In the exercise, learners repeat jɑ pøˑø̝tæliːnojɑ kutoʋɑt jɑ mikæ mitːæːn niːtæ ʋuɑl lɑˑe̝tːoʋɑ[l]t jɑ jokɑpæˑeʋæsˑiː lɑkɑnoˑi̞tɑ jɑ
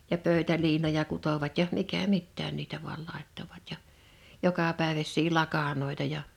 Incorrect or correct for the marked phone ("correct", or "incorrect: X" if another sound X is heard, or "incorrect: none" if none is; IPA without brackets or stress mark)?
incorrect: none